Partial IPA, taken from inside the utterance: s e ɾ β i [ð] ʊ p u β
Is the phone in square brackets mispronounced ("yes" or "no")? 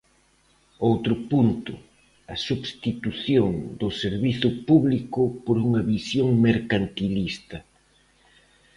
yes